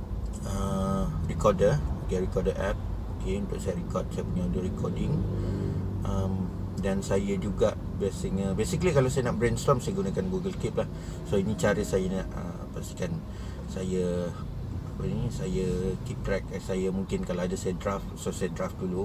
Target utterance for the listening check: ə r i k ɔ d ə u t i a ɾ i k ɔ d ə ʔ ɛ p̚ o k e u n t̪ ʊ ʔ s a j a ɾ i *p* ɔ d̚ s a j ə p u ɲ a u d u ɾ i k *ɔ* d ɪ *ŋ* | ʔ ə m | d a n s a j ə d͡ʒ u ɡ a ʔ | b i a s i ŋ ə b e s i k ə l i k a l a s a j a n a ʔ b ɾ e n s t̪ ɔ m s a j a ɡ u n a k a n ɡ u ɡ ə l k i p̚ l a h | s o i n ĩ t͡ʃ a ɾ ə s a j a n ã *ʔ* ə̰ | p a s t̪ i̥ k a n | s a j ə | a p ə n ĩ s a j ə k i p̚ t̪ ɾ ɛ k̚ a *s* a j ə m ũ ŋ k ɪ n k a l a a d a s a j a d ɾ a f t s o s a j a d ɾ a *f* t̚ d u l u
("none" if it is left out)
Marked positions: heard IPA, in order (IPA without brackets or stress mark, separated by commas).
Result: k, ɔ, ŋ, ʔ, s, f